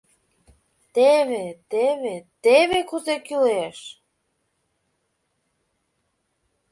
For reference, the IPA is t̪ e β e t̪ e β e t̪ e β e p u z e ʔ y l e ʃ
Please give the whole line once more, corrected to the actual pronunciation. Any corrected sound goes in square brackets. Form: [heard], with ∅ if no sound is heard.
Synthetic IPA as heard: t̪ e β e t̪ e β e t̪ e β e [k] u z e [k] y l e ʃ